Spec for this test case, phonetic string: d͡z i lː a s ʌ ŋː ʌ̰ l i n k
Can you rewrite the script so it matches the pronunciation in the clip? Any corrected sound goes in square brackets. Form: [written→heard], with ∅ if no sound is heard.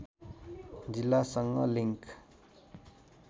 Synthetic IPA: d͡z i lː a s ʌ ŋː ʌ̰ l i [n→ŋ] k